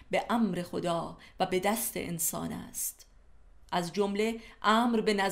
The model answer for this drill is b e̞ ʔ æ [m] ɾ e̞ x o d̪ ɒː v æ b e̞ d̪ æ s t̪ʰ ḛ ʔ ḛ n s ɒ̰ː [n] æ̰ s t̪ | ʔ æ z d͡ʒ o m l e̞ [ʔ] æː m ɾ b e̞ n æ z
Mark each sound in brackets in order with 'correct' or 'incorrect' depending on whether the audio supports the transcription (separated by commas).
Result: correct, correct, correct